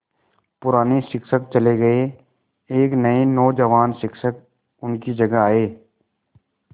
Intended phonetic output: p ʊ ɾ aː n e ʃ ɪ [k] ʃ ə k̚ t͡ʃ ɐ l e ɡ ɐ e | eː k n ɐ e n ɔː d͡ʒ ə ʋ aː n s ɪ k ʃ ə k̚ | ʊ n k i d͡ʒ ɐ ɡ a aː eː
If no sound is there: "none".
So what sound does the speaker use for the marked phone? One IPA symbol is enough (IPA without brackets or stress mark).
k